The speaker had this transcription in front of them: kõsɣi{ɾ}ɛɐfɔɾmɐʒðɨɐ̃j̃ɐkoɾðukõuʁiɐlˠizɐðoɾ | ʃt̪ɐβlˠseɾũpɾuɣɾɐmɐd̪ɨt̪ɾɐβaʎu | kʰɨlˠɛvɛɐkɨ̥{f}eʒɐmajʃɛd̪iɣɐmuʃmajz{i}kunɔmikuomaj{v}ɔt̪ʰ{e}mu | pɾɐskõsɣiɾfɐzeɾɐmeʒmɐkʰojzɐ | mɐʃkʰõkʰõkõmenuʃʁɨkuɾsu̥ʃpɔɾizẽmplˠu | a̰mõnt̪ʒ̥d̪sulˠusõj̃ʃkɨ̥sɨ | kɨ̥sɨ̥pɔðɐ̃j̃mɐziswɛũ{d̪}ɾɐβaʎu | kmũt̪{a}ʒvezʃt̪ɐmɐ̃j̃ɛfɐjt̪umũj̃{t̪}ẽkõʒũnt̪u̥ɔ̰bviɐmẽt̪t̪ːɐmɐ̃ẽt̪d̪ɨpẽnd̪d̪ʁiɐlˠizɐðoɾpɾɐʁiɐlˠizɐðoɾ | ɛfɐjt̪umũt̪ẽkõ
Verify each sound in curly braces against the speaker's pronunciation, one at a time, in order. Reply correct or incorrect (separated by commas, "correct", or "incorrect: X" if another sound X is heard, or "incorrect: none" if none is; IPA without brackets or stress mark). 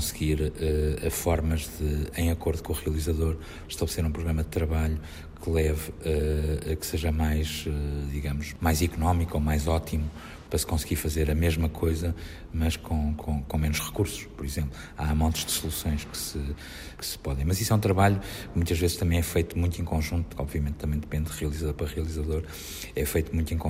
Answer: correct, incorrect: s, correct, incorrect: z, incorrect: i, incorrect: t̪, incorrect: ɐ, correct